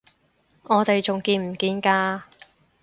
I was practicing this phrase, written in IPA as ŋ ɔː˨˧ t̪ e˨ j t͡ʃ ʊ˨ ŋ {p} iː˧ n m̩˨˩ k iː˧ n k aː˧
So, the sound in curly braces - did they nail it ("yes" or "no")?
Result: no